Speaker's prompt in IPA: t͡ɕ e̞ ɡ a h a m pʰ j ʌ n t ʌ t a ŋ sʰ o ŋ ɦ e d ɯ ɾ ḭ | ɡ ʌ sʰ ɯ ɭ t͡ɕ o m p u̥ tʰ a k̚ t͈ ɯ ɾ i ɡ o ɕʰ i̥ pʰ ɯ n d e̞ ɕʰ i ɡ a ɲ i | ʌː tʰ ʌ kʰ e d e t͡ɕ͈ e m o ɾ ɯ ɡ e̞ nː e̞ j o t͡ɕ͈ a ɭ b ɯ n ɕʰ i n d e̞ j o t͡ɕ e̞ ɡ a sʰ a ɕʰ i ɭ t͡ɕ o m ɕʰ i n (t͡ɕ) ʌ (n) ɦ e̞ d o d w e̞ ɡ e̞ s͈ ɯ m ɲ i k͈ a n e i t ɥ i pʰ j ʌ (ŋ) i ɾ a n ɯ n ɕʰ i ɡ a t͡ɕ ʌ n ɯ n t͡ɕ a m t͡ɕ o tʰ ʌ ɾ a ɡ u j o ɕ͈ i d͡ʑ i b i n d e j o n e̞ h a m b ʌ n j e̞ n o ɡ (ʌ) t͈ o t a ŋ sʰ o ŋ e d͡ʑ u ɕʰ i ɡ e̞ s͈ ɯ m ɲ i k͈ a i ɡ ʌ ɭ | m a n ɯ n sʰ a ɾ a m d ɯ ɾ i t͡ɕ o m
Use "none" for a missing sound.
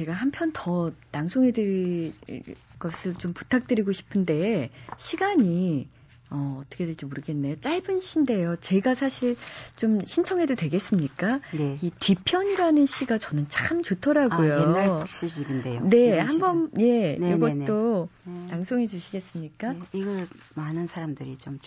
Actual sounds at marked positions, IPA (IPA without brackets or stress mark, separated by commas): t͡ɕʰ, ŋ, ɲ, ʌ